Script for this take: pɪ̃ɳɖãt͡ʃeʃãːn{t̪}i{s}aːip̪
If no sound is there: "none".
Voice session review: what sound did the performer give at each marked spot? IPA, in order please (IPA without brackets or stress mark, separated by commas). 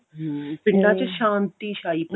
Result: t̪, ʃ